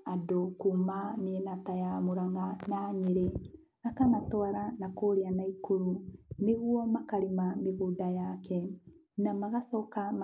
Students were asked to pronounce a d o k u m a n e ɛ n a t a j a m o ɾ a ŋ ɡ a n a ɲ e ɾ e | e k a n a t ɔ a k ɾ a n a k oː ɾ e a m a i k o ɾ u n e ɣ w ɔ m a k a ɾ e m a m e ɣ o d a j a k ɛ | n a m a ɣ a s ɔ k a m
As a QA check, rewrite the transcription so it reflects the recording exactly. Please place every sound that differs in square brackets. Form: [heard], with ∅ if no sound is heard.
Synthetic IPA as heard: a d o k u m a n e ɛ n a t a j a m o ɾ a ŋ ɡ a n a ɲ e ɾ e | [a] k a n a t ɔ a [∅] ɾ a n a k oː ɾ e a [n] a i k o ɾ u n e ɣ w ɔ m a k a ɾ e m a m e ɣ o d a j a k ɛ | n a m a ɣ a s ɔ k a m